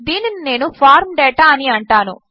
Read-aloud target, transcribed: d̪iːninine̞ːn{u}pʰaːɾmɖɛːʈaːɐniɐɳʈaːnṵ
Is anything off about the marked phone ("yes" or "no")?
no